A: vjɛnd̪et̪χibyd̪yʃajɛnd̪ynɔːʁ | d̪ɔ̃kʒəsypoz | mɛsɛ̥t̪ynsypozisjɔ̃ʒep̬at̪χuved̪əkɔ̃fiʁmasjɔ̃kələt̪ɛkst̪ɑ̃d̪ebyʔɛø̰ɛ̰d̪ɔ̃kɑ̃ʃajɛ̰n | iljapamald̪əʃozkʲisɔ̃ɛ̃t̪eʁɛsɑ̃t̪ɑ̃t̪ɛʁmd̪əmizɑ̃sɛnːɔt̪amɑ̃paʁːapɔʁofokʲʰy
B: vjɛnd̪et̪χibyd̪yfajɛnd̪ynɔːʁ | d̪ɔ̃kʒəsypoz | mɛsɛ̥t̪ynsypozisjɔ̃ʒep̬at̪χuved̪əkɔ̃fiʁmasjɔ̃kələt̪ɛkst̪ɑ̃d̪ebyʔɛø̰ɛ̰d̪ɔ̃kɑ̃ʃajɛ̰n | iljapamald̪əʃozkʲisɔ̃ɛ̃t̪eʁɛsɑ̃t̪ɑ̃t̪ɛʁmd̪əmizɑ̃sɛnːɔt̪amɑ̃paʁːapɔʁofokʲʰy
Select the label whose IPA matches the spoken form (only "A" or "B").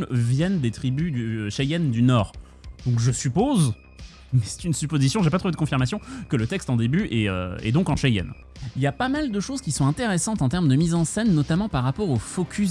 A